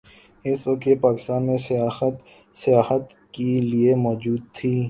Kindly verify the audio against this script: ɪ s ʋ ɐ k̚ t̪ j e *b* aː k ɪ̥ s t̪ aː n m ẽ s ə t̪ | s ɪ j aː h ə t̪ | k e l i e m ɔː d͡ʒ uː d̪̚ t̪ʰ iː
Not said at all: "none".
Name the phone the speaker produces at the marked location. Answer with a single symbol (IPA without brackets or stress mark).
p